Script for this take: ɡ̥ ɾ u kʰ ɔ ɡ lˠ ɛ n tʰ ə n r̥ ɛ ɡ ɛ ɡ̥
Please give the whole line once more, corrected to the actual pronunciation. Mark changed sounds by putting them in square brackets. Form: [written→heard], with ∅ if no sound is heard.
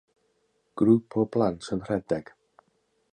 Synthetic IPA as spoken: ɡ̥ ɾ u [kʰ→pʰ] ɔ [ɡ→b] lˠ [ɛ→a] n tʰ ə n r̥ ɛ [ɡ→d] ɛ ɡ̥